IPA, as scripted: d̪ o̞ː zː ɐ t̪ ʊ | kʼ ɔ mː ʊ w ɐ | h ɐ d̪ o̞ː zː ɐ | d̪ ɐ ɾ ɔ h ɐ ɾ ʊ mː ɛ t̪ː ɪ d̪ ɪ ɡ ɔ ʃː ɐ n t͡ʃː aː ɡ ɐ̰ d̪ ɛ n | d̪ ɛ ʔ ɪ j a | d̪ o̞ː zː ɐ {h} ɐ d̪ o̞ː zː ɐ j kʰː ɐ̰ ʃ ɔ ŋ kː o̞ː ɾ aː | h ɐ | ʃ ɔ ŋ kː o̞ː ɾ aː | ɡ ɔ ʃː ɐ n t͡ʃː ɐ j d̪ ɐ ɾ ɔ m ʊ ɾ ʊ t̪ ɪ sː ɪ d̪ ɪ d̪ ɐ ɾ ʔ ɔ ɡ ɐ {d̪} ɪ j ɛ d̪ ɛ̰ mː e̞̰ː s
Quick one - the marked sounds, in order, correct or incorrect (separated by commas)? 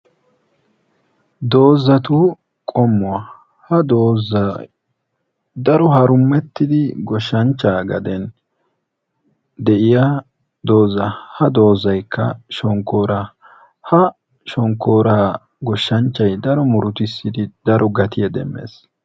correct, incorrect